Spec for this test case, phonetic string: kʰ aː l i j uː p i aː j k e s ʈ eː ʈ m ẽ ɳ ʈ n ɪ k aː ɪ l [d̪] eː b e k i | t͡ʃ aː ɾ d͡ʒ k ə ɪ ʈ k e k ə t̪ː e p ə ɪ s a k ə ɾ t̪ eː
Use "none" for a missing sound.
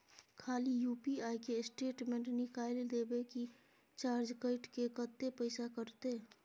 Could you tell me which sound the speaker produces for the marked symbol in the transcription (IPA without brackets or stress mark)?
d̪